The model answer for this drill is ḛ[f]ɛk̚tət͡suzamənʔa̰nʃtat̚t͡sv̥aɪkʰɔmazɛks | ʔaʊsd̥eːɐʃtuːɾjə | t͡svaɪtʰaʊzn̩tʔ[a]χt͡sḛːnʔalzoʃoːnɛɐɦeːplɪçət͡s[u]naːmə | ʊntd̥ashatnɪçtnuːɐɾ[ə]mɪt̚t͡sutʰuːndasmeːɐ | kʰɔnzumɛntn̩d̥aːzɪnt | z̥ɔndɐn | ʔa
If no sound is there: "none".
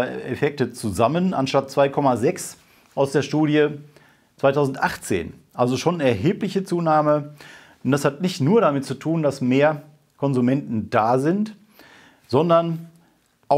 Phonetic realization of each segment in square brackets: f, a, uː, a

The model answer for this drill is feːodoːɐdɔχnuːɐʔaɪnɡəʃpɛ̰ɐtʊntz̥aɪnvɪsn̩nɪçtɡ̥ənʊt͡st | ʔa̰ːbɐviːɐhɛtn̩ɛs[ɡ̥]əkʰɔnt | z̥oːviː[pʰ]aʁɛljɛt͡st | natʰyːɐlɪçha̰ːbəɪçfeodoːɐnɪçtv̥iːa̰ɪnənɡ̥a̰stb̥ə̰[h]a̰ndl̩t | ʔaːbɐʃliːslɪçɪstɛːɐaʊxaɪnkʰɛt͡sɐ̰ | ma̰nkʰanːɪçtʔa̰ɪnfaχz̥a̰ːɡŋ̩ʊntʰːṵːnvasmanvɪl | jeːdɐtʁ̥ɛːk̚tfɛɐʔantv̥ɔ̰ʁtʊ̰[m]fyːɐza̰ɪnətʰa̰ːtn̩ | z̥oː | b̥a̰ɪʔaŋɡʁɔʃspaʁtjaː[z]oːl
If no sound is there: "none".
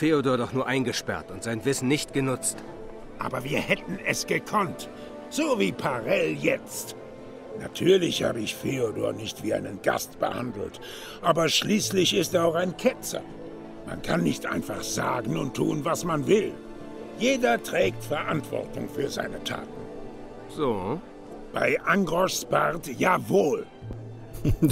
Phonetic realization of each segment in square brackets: ɡ̥, pʰ, h, ŋ, v

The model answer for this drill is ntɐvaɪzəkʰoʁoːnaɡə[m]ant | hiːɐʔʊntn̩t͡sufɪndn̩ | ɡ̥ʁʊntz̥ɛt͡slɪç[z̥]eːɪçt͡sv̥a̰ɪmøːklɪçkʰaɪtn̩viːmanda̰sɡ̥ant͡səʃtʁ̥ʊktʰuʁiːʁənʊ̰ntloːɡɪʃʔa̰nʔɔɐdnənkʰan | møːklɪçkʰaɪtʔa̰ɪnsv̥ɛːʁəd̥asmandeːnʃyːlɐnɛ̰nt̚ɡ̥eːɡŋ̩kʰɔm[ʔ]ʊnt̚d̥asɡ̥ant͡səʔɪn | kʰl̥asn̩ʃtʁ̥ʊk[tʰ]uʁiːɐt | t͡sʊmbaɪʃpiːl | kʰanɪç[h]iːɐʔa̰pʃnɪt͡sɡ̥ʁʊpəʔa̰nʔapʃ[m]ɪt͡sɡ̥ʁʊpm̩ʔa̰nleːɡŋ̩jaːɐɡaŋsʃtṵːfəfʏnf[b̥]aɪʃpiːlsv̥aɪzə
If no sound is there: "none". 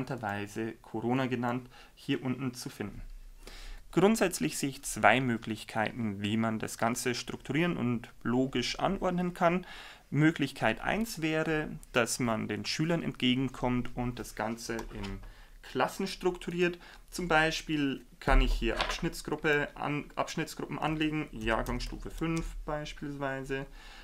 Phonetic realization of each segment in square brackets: n, z̥, t, tʰ, h, n, b̥

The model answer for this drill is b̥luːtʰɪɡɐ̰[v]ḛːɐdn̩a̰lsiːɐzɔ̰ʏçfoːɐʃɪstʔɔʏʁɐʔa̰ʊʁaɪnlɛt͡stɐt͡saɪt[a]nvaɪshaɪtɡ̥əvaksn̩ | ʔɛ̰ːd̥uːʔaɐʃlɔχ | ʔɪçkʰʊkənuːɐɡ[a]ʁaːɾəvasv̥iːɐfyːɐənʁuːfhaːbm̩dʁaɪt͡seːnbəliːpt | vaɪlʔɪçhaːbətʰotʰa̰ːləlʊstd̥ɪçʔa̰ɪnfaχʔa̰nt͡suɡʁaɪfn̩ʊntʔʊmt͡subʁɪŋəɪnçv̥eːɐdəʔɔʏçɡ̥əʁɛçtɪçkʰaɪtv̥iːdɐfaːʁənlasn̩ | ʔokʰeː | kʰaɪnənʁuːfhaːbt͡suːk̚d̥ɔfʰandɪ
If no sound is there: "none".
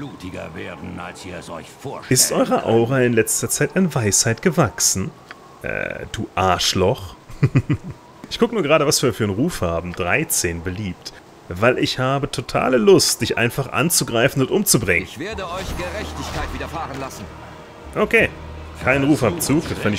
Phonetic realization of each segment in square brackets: v, a, ə

